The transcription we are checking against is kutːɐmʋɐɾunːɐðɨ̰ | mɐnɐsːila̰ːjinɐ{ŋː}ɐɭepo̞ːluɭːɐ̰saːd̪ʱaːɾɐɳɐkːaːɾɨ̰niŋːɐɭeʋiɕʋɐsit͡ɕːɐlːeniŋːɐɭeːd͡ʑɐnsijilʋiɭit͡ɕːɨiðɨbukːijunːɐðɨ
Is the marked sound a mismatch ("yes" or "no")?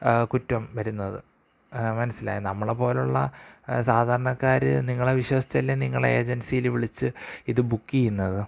yes